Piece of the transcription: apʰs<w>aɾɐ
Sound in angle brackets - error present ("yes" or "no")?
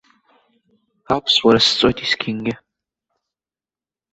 no